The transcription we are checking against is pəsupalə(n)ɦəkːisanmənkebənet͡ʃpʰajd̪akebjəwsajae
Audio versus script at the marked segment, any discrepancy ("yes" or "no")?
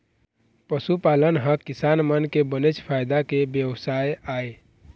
no